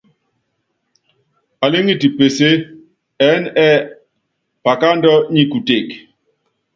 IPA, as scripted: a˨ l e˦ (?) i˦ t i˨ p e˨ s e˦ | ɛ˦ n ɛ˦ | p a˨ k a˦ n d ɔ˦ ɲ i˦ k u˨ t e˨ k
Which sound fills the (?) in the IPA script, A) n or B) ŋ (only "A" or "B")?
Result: B